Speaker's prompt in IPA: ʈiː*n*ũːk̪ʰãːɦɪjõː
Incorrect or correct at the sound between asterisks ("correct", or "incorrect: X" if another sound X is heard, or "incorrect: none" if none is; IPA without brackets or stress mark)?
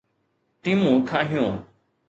incorrect: m